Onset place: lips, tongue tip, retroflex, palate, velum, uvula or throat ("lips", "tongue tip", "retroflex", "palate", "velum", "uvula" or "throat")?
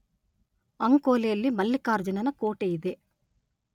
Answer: velum